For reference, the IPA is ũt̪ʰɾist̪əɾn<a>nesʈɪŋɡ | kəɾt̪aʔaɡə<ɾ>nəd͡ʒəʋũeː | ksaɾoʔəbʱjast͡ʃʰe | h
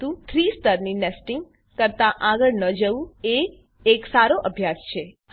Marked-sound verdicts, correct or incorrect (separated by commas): incorrect, incorrect